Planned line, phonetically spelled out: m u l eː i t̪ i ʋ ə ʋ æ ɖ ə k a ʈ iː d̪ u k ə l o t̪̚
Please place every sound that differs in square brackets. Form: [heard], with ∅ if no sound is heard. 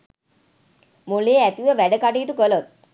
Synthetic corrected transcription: m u l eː [æ] t̪ i ʋ ə ʋ æ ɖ ə k a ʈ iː [t̪] u k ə l o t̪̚